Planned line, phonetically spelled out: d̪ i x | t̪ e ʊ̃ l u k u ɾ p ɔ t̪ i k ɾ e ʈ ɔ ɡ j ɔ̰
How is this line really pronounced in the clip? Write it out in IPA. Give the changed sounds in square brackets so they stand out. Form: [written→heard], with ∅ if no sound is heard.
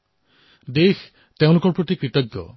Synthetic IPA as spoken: d̪ [i→e] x | t̪ e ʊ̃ l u k [u→ɔ] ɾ p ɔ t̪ i k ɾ [e→i] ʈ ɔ ɡ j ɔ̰